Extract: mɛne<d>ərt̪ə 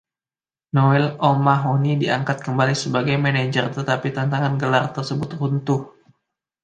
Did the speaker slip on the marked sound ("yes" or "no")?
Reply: yes